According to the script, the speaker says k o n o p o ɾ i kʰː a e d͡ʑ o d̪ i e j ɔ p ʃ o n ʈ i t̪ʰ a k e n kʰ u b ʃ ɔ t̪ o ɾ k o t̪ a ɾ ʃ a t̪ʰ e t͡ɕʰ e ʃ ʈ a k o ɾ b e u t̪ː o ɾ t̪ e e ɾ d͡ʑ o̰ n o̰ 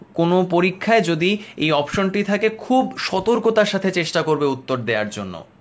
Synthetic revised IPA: k o n o p o ɾ i kʰː a e d͡ʑ o d̪ i e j ɔ p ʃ o n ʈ i t̪ʰ a k e kʰ u b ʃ ɔ t̪ o ɾ k o t̪ a ɾ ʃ a t̪ʰ e t͡ɕ e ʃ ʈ a k o ɾ b e u t̪ː o ɾ d̪ e a ɾ d͡ʑ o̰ nː o̰